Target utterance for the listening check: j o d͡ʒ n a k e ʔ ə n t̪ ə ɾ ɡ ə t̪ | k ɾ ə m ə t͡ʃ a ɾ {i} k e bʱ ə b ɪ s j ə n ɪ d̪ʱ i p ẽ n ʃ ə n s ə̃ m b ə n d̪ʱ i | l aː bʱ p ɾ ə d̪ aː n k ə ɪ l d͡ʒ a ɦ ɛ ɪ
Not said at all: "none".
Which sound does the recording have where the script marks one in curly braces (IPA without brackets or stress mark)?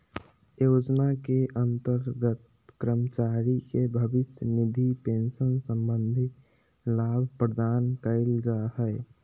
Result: i